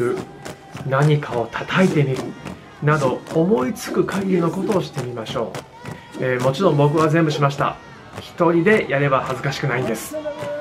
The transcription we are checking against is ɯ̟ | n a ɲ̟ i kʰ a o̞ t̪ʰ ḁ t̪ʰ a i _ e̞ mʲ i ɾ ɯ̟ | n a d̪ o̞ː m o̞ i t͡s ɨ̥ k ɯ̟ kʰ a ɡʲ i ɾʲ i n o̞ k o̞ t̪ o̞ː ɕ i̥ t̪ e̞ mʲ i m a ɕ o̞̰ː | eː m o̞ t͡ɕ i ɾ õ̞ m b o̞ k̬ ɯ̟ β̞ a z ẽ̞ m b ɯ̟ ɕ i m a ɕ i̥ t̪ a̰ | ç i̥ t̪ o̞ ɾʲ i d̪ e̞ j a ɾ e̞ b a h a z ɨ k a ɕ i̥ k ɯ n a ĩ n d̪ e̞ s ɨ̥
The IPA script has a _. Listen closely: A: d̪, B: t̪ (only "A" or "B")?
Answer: B